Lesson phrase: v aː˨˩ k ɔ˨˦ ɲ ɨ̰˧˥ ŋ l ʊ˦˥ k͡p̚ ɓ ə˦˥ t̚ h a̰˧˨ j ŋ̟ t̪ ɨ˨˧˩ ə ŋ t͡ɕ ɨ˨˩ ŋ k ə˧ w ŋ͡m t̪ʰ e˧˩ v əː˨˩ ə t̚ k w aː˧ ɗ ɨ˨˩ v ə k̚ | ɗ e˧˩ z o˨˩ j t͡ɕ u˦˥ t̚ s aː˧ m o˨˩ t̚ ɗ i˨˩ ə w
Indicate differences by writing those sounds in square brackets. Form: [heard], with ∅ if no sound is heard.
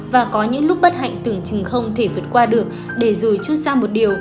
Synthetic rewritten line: v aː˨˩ k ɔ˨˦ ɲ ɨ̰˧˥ ŋ l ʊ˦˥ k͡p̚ ɓ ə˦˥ t̚ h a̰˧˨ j ŋ̟ t̪ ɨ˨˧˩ ə ŋ t͡ɕ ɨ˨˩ ŋ [x] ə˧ w ŋ͡m t̪ʰ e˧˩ v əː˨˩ ə t̚ k w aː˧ ɗ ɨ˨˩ [∅] ə k̚ | ɗ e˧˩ z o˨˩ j t͡ɕ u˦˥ t̚ s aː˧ m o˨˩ t̚ ɗ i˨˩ ə w